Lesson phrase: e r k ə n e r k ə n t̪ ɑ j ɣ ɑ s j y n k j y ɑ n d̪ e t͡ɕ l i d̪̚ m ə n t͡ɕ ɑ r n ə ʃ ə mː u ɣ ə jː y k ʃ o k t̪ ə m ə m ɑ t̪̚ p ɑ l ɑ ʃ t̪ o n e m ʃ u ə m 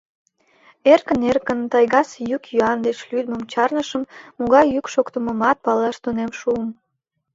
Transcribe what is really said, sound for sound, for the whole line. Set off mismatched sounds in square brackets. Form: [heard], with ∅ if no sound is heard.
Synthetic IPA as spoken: e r k ə n e r k ə n t̪ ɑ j ɣ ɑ s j y [∅] k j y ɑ n d̪ e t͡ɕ l [y] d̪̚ m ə [m] t͡ɕ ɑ r n ə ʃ ə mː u ɣ [ɑ] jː y k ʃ o k t̪ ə m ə m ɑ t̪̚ p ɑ l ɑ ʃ t̪ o n e m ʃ u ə m